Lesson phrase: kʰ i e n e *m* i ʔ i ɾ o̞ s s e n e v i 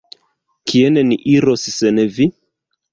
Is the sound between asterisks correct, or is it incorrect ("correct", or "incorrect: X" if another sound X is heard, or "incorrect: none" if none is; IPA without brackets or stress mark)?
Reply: incorrect: n